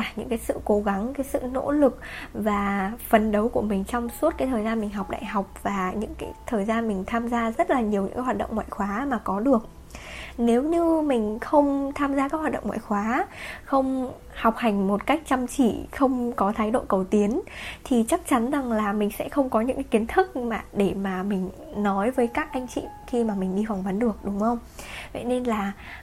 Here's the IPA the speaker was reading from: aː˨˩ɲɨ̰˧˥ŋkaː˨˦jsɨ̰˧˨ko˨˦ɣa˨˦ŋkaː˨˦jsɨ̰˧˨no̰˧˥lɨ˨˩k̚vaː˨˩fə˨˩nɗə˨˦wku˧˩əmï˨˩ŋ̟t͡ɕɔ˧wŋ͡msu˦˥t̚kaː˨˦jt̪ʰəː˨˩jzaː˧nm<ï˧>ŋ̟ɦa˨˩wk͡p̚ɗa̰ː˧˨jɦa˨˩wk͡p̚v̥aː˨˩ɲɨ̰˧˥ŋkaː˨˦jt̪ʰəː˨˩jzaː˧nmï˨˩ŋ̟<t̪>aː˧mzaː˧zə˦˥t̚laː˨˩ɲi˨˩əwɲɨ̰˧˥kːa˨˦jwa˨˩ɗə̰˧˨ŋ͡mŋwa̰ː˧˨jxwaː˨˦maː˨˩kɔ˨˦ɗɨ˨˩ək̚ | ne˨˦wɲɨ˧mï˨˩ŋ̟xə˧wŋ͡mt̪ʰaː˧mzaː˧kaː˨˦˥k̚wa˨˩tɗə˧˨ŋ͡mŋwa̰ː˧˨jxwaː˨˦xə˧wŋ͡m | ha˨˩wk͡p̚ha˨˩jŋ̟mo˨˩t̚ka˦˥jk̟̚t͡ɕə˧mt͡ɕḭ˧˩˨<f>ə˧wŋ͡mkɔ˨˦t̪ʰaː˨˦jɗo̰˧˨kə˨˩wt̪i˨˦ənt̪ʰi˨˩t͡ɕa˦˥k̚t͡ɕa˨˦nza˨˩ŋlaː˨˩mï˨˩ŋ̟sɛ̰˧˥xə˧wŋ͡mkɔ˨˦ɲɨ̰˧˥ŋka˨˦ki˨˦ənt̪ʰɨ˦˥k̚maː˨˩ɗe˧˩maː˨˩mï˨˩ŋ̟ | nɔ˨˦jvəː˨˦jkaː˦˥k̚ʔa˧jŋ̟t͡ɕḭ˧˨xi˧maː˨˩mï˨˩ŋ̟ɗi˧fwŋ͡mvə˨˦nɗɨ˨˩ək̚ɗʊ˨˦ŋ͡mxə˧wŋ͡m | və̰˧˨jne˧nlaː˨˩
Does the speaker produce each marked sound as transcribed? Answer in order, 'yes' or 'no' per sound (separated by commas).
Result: no, no, no